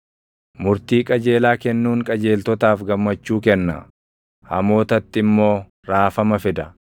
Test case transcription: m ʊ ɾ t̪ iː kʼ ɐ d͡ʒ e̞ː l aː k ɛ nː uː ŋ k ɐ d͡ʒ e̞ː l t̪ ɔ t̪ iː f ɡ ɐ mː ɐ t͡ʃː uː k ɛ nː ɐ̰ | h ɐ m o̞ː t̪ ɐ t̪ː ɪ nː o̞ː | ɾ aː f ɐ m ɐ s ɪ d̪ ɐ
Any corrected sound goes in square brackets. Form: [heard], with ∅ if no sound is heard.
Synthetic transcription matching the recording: m ʊ ɾ t̪ iː kʼ ɐ d͡ʒ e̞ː l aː k ɛ nː uː ŋ [kʼ] ɐ d͡ʒ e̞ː l t̪ ɔ t̪ [aː] f ɡ ɐ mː ɐ t͡ʃː uː k ɛ nː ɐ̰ | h ɐ m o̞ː t̪ ɐ t̪ː ɪ [mː] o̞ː | ɾ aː f ɐ m ɐ [f] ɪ d̪ ɐ